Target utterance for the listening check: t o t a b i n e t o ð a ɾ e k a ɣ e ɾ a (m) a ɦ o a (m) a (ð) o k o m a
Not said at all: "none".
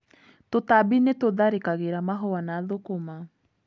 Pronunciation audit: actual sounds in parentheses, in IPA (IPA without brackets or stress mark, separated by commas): m, n, ð